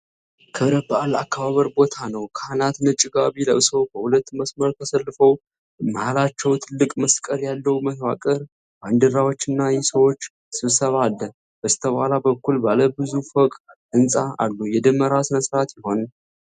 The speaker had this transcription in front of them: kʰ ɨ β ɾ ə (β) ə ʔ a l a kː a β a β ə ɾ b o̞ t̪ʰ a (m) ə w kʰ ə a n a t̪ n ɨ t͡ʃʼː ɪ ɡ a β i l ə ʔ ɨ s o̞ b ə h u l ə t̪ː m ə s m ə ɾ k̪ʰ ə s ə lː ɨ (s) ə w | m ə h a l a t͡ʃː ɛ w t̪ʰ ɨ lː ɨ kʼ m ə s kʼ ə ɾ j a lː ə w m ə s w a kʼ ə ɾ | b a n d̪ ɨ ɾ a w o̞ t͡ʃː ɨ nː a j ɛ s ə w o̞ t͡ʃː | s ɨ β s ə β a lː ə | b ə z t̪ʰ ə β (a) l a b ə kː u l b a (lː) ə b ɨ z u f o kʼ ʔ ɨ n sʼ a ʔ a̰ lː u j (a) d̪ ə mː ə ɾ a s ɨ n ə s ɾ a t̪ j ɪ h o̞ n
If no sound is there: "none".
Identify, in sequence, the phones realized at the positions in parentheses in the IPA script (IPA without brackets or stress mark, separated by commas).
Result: b, n, f, a, l, ɛ